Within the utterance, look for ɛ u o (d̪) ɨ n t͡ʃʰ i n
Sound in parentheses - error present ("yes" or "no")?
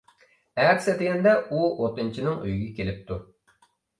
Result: yes